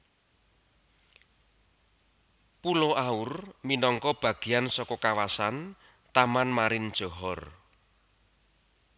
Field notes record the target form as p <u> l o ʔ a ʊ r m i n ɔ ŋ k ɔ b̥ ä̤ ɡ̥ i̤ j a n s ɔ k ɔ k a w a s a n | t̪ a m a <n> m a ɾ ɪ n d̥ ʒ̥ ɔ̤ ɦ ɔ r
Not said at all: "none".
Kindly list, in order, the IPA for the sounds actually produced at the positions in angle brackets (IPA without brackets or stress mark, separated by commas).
u, n